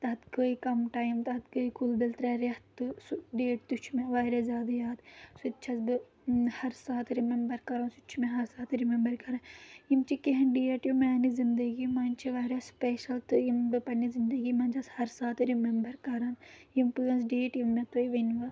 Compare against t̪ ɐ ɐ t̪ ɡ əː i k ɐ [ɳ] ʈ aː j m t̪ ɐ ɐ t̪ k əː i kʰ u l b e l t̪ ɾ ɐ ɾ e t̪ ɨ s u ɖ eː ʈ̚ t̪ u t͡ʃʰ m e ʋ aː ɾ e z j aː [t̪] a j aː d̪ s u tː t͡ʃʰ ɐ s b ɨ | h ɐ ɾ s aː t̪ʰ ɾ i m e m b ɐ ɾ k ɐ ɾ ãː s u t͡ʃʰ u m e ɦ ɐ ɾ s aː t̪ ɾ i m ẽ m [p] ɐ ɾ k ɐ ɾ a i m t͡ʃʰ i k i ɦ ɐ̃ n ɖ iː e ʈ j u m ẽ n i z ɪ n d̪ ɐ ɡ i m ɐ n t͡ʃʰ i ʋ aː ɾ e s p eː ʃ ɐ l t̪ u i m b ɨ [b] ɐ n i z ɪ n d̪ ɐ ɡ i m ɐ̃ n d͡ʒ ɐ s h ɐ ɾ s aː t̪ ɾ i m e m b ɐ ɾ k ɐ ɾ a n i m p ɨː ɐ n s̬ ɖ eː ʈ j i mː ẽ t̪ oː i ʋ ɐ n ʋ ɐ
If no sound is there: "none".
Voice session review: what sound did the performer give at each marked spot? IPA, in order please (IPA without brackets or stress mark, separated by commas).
m, d̪, b, p